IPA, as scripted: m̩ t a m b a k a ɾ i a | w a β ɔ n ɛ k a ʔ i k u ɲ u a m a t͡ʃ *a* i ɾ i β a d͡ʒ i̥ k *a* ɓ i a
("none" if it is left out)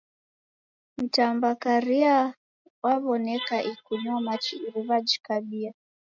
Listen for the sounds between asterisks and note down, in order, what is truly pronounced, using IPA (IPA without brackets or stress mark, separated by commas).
i, a